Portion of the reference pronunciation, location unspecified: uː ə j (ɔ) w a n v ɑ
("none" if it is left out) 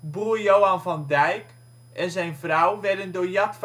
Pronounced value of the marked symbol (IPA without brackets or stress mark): o